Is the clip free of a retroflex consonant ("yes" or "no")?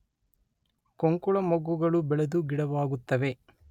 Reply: no